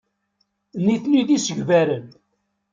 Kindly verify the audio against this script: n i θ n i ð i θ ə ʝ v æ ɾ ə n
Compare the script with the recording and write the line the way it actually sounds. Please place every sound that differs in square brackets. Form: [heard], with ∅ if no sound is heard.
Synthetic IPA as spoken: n i θ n i ð i [s] ə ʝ v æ ɾ ə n